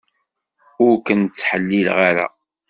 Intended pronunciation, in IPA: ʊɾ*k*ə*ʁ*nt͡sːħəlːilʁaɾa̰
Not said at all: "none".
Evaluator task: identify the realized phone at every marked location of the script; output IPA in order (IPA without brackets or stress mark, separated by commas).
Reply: k, none